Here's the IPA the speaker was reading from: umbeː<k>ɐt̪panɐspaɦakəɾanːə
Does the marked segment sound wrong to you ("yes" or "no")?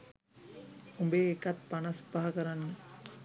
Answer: no